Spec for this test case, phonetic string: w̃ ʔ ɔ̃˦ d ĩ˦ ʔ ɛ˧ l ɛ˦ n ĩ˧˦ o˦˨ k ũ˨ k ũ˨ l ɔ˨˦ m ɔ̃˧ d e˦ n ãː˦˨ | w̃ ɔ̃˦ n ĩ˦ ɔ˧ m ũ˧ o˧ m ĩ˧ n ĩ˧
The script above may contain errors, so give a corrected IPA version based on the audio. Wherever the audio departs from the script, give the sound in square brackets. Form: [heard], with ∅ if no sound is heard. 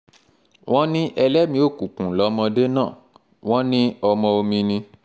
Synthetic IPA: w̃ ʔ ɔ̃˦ [n] ĩ˦ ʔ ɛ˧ l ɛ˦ [m] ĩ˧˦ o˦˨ k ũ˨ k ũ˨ l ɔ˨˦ m ɔ̃˧ d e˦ n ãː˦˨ | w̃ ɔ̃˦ n ĩ˦ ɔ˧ m [ɔ̃˧] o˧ m ĩ˧ n ĩ˧